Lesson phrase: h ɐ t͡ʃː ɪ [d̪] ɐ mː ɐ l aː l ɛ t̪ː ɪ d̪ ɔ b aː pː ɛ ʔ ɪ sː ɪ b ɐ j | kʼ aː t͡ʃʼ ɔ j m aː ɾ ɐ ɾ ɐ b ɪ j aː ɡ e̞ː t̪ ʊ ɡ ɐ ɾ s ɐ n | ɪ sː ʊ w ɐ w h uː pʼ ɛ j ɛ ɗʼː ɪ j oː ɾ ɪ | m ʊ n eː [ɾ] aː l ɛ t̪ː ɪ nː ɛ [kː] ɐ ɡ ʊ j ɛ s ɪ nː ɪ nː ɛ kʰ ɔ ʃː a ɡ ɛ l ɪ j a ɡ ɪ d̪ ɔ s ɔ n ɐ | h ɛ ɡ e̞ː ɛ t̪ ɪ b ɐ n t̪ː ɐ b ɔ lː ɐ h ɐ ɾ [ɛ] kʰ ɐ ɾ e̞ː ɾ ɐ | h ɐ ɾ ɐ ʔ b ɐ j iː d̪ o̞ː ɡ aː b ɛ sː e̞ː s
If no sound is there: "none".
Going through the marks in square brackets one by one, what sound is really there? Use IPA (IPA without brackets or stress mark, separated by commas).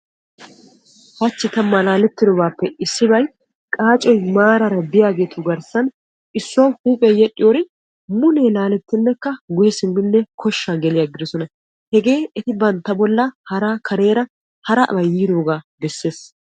t̪, l, kː, a